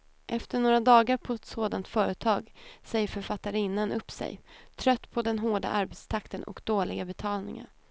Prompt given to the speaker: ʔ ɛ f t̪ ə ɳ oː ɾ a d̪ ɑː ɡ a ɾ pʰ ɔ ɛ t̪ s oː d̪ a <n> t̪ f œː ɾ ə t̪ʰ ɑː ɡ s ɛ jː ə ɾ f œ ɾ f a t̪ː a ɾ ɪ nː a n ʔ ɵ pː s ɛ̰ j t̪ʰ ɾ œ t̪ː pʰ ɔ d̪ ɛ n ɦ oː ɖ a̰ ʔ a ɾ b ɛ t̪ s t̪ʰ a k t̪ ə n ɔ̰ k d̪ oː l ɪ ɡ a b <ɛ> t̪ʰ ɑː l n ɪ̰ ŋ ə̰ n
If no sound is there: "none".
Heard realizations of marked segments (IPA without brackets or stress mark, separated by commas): n, ɛ